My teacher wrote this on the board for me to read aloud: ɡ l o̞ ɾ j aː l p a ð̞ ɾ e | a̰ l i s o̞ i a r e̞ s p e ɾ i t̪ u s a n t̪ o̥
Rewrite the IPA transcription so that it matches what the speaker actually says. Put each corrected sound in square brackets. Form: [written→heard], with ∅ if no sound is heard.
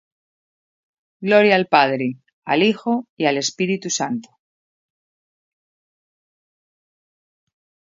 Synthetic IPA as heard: ɡ l o̞ ɾ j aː l p a ð̞ ɾ e | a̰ l i [s→x] o̞ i a [r→l] e̞ s p [e→i] ɾ i t̪ u s a n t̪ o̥